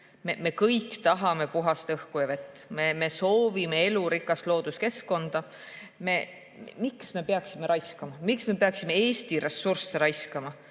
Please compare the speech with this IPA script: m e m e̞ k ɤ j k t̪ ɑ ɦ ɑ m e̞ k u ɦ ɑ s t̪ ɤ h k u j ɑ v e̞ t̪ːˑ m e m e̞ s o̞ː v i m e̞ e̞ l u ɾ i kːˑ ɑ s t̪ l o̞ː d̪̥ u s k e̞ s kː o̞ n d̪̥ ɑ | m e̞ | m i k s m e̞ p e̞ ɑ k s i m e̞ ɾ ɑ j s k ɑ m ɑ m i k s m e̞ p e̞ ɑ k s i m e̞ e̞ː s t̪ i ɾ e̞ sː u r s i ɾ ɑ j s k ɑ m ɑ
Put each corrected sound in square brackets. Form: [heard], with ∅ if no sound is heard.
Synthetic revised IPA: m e m e̞ k ɤ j k t̪ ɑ ɦ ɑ m e̞ [p] u ɦ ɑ s t̪ ɤ h k u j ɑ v e̞ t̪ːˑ m e m e̞ s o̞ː v i m e̞ e̞ l u ɾ i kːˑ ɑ s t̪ l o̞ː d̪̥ u s k e̞ s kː o̞ n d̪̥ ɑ | m e̞ | m i k s m e̞ p e̞ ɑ k s i m e̞ ɾ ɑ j s k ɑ m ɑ m i k s m e̞ p e̞ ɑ k s i m e̞ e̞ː s t̪ i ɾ e̞ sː u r s [e] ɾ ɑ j s k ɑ m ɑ